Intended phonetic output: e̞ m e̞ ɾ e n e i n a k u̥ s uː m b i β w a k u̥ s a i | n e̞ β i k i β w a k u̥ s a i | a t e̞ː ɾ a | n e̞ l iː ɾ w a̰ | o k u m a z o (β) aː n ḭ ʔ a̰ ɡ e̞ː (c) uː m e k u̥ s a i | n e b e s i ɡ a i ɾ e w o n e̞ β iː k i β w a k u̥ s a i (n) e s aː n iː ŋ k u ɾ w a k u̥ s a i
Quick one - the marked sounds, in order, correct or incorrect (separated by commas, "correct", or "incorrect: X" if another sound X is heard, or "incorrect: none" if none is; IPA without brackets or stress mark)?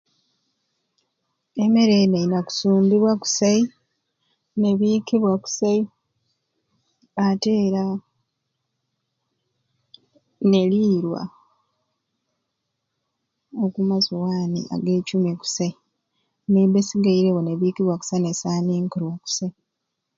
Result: incorrect: w, correct, correct